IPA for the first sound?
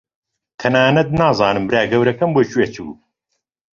t̪ʰ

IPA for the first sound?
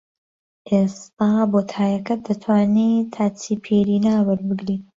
ʔ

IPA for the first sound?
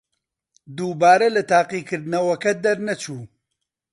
d̪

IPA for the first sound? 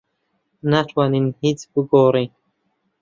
n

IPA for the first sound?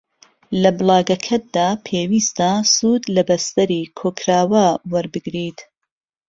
l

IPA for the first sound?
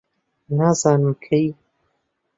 n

